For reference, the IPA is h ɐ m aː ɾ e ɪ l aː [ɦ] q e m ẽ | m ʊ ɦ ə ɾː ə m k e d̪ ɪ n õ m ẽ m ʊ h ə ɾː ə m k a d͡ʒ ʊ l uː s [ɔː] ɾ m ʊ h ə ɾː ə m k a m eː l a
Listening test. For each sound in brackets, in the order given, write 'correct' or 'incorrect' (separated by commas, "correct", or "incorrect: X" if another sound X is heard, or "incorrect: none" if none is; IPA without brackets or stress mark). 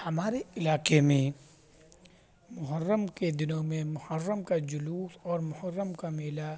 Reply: incorrect: none, correct